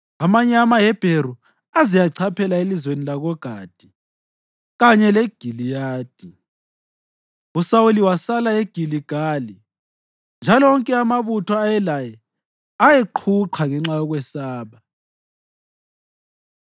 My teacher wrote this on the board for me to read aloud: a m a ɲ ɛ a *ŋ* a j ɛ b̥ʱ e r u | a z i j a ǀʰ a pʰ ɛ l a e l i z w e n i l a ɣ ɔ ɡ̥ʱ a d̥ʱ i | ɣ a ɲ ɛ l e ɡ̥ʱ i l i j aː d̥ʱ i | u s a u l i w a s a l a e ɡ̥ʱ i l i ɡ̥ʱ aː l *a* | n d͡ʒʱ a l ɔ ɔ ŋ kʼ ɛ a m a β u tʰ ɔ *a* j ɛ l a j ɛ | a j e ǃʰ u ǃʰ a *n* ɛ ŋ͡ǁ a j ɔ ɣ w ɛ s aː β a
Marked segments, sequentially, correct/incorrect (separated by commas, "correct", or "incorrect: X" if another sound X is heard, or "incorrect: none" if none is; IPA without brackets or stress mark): incorrect: m, incorrect: i, correct, incorrect: ŋ